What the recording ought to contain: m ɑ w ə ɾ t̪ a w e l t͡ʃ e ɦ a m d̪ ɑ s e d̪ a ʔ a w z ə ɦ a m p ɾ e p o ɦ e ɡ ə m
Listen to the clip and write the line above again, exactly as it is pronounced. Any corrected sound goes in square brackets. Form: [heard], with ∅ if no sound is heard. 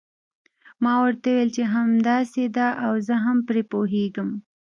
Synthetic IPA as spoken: m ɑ w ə ɾ t̪ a w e l t͡ʃ e ɦ a m d̪ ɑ s e d̪ a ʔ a w z ə ɦ a m p ɾ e p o ɦ e ɡ ə m